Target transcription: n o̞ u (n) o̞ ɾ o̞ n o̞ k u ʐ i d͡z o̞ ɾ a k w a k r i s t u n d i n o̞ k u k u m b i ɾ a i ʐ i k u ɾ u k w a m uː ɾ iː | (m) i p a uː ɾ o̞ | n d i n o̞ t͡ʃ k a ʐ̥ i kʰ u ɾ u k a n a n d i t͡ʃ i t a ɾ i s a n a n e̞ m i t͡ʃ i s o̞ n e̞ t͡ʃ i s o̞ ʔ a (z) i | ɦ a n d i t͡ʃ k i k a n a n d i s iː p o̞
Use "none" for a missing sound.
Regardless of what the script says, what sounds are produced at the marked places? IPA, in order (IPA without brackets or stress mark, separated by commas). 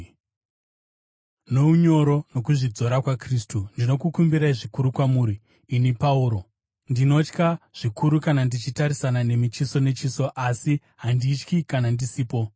ɲ, n, s